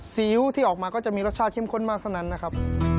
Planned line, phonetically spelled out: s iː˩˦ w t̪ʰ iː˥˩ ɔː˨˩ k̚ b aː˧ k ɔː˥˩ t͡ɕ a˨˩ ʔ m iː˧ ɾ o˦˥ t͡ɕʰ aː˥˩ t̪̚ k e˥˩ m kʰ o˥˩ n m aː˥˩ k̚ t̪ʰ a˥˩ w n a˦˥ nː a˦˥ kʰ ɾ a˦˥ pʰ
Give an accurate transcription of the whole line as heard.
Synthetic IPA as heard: s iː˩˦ w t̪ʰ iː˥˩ ɔː˨˩ k̚ m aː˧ k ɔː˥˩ t͡ɕ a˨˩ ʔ m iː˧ ɾ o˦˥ t͡ɕʰ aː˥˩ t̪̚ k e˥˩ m kʰ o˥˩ n m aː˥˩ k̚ t̪ʰ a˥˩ w n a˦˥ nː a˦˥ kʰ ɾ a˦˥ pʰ

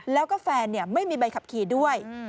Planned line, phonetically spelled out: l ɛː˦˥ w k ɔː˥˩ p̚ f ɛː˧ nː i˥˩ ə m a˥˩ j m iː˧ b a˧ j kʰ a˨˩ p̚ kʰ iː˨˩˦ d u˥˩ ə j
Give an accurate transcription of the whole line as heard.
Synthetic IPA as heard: l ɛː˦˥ w k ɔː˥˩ f ɛː˧ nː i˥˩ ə m a˥˩ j m iː˧ b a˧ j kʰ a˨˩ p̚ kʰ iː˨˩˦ d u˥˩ ə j

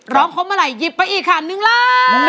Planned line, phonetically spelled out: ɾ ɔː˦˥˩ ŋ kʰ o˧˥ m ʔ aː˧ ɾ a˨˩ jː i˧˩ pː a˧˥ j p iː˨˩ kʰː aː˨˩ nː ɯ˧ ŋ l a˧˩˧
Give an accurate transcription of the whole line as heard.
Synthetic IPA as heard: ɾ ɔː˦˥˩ ŋ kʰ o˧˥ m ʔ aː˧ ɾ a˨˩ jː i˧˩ pː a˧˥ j ʔ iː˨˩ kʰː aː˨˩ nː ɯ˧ ŋ l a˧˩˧

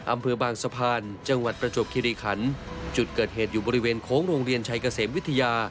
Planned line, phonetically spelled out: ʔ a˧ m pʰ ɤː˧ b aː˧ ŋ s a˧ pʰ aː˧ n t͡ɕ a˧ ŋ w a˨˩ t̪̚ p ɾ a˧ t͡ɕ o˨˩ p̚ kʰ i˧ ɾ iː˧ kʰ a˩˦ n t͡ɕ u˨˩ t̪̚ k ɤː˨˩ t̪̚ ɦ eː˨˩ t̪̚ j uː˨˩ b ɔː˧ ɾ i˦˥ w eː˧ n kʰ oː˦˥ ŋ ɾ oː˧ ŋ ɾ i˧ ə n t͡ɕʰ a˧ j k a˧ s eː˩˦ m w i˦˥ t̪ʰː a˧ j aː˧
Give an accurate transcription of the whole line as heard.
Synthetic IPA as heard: ʔ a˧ m pʰ ɤː˧ b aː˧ ŋ s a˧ pʰ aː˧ n t͡ɕ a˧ ŋ w a˨˩ t̪̚ p ɾ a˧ t͡ɕ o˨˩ p̚ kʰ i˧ ɾ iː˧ kʰ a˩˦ n t͡ɕ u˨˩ t̪̚ k ɤː˨˩ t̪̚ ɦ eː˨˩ t̪̚ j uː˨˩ b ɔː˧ ɾ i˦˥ w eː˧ n kʰ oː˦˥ ŋ ɾ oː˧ ŋ ɾ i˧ ə n t͡ɕʰ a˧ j k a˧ s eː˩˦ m w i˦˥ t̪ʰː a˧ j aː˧

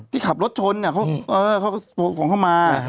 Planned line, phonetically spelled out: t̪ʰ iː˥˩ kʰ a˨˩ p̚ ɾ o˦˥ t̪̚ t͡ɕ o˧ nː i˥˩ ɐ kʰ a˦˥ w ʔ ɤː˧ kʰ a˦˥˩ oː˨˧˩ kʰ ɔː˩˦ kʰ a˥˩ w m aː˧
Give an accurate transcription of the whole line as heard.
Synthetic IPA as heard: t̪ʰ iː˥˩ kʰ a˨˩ p̚ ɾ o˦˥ t̪̚ t͡ɕʰ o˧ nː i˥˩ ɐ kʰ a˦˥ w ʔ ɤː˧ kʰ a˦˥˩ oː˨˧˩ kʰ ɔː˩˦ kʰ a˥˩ w m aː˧

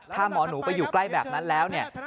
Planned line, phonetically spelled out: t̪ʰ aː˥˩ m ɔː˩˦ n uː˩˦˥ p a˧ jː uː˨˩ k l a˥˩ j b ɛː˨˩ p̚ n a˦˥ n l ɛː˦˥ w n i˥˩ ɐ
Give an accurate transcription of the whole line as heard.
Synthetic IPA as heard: t̪ʰ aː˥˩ m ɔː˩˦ n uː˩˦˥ p a˧ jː uː˨˩ k l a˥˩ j b ɛː˨˩ p̚ n a˦˥ n l ɛː˦˥ w n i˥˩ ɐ

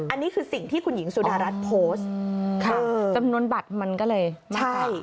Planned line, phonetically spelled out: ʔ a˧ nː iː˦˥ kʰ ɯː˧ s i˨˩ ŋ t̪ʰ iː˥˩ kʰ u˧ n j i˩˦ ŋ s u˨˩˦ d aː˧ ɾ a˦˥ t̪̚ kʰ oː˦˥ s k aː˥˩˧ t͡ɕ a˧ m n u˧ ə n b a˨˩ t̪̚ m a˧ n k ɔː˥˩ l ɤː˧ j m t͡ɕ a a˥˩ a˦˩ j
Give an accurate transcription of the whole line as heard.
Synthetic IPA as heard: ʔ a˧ nː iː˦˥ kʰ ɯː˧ s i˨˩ ŋ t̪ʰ iː˥˩ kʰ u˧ n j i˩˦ ŋ s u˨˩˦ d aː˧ ɾ a˦˥ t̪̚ pʰ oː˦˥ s kʰ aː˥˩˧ t͡ɕ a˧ m n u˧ ə n b a˨˩ t̪̚ m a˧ n k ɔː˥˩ l ɤː˧ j m t͡ɕ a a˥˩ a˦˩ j

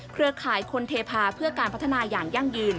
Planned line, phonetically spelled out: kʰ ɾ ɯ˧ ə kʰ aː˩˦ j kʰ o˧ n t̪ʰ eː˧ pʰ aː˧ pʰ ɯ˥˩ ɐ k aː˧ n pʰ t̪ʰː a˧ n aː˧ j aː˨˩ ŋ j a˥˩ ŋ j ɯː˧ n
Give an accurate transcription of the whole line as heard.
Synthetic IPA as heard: kʰ ɾ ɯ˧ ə kʰ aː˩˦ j kʰ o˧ n t̪ʰ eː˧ pʰ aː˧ pʰ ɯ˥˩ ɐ k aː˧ n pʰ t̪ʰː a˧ n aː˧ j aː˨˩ ŋ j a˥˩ ŋ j ɯː˧ n

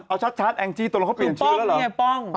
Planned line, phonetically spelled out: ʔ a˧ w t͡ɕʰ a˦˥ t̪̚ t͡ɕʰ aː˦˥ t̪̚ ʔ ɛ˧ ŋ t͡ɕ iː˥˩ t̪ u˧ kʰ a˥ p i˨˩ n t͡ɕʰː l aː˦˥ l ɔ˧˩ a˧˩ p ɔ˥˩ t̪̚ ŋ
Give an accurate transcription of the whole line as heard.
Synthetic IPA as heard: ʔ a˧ w t͡ɕʰ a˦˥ t̪̚ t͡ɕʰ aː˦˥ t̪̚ ʔ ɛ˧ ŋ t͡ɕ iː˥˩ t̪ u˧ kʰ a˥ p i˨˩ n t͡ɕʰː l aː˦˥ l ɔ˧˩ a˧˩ p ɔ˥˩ ŋ

